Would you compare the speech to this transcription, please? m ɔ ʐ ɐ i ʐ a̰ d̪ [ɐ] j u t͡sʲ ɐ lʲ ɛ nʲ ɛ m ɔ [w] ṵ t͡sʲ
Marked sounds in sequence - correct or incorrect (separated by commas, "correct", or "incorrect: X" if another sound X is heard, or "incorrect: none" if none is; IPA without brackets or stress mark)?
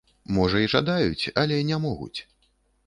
incorrect: a, incorrect: ɣ